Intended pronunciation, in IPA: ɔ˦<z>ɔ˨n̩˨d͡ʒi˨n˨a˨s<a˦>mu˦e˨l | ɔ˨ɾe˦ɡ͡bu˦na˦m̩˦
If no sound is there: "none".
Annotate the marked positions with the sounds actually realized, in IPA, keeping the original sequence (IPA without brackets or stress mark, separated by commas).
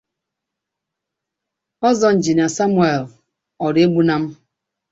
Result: z, a˦